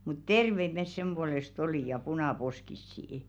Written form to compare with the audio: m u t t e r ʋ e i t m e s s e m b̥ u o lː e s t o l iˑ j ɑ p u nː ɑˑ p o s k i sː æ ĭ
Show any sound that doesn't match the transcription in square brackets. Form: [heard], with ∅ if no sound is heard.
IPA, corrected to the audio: m u t t e r ʋ e i t m e s s e m b̥ u o [l] e s t o l iˑ j ɑ p u [n] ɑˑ p o s k i sː [i] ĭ

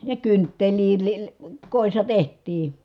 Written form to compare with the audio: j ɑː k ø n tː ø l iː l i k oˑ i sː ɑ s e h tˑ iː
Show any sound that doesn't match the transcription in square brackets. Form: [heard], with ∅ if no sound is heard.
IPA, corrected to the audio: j [ɑ] k [y] n tː [e] l iː l i k oˑ i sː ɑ [t] e h tˑ iː

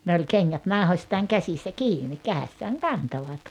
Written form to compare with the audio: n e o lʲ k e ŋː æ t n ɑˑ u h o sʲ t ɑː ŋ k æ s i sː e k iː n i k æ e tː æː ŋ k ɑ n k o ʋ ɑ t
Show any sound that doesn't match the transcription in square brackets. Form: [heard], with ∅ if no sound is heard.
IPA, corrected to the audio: n e o lʲ k e ŋː æ t n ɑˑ u h o sʲ t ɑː ŋ k æ s i sː [æ] k iː n i k æ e [sː] æː ŋ k ɑ n [t] o ʋ ɑ t

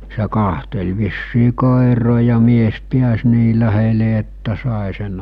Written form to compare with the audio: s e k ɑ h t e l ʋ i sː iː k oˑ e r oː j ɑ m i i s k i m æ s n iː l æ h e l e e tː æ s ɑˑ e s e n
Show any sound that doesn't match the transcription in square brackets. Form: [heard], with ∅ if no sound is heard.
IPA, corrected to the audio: s e k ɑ h t e l ʋ i sː iː k oˑ e r oː j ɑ m i [e] s [p] i [∅] æ s n iː l æ h e l e e tː æ s ɑˑ e s e n

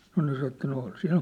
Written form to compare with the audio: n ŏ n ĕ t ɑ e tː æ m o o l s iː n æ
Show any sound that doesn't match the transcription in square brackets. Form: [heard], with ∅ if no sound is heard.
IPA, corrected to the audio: n ŏ n ĕ [s] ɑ e tː æ [n] o o l s [i] n æ

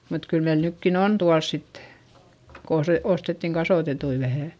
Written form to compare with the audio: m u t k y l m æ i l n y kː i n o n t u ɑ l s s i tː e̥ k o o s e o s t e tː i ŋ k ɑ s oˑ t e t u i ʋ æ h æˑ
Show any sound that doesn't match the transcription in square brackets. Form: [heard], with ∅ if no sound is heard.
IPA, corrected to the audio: m u t k y l m [e] i l n y kː i n o n t u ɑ l s s i tː e̥ k o o s e o s t e tː i ŋ k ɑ s oˑ t e t u i ʋ æ h æˑ

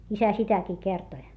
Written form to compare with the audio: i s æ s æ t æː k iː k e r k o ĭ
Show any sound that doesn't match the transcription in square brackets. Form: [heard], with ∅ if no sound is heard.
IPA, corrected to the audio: i s æ s [i] t [æ] k iː k e r [t] o ĭ

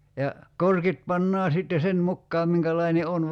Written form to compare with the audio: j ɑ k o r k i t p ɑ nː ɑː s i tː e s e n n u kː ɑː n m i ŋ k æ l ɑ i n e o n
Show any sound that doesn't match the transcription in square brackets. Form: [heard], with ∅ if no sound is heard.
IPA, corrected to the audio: j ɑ k o r k i t p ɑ nː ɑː s i tː e s e n [m] u kː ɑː [m] m i ŋ k æ l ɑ i n e o n

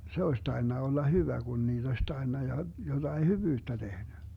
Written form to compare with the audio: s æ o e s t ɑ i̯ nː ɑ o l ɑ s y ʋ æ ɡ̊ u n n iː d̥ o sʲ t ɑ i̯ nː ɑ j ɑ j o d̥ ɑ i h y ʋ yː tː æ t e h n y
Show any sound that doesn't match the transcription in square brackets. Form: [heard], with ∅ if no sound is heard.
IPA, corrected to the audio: s [e] o e s t ɑ i̯ nː ɑ o [lː] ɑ [h] y ʋ æ ɡ̊ u n n iː d̥ o sʲ t ɑ i̯ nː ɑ j ɑ j o d̥ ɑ i h y ʋ yː tː æ t e h n y

